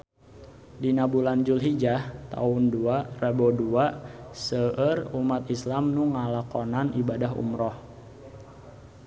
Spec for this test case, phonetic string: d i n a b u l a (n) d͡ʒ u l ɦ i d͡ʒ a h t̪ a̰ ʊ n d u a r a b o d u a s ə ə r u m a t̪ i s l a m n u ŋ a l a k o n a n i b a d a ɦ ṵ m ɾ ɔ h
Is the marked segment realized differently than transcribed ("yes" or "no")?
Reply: no